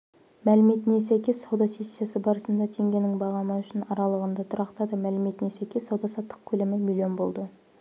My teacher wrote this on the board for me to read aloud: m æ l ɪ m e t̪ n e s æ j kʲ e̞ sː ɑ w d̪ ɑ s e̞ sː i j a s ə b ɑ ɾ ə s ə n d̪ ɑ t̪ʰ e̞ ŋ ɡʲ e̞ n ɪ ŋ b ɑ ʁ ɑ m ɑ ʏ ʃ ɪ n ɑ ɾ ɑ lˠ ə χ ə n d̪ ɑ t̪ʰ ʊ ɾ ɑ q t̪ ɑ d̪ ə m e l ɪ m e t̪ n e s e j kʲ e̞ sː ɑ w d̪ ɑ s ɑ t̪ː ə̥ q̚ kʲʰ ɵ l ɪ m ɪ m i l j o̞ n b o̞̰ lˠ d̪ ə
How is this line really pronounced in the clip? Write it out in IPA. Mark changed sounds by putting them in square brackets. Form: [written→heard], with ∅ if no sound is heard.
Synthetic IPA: m æ l ɪ m e t̪ n e s æ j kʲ e̞ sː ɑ w d̪ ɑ s e̞ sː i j a s ə b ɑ ɾ ə s ə n d̪ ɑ t̪ʰ e̞ ŋ ɡʲ e̞ n ɪ ŋ b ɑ ʁ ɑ m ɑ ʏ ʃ ɪ n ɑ ɾ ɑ lˠ ə [χ→ʁ] ə n d̪ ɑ t̪ʰ ʊ ɾ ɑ q t̪ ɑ d̪ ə m [e→æ] l ɪ m e t̪ n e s [e→æ] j kʲ e̞ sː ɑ w d̪ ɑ s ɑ t̪ː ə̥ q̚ kʲʰ ɵ l ɪ m ɪ m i l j o̞ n b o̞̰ lˠ d̪ ə